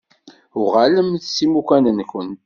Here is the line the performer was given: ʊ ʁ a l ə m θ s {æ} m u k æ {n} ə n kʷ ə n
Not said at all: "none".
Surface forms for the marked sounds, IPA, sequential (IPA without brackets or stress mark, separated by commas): i, n